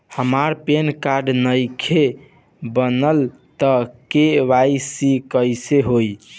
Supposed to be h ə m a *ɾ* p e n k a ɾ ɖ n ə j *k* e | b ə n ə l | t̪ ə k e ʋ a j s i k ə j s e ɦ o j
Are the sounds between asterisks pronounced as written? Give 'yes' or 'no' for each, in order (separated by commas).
yes, no